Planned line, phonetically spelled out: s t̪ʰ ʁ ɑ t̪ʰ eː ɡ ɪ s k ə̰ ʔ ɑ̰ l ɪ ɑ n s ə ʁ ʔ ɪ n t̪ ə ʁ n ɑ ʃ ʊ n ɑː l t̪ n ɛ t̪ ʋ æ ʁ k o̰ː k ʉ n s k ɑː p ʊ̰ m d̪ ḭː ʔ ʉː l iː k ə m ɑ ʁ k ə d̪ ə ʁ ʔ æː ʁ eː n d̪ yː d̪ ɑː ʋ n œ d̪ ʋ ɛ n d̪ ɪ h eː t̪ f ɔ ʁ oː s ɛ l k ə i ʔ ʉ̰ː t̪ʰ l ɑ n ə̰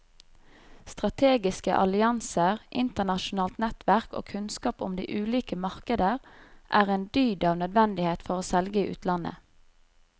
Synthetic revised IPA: s t̪ ʁ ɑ t̪ʰ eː ɡ ɪ s k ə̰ ʔ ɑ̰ l ɪ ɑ n s ə ʁ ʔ ɪ n t̪ ə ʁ n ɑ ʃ ʊ n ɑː l t̪ n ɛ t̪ ʋ æ ʁ k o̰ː kʰ ʉ n s k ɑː p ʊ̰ m d̪ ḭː ʔ ʉː l iː k ə m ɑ ʁ k ə d̪ ə ʁ ʔ æː ʁ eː n d̪ yː d̪ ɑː ʋ n œ d̪ ʋ ɛ n d̪ ɪ h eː t̪ f ɔ ʁ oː s ɛ l ɡ ə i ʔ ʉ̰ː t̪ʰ l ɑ n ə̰